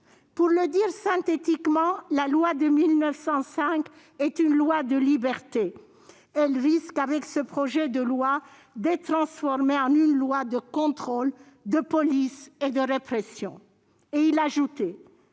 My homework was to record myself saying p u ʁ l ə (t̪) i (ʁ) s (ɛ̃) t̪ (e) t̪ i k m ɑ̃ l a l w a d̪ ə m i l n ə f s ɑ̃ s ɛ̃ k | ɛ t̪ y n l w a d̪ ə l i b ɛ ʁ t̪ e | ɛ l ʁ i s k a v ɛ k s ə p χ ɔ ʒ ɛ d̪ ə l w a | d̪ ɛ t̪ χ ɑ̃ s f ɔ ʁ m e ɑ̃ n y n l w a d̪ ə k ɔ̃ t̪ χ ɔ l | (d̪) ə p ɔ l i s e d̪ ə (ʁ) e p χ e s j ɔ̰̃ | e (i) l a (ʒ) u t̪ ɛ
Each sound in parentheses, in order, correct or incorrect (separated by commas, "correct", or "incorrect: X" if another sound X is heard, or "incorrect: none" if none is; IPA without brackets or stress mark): incorrect: d̪, correct, correct, correct, correct, correct, correct, correct